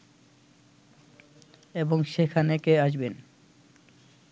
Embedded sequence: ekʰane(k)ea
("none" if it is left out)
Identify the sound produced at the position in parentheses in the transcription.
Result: k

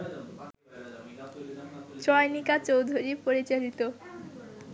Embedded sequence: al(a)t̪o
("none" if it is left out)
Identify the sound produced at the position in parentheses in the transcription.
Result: i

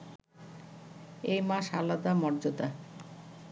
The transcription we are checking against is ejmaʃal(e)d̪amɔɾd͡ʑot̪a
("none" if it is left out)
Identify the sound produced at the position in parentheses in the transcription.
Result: a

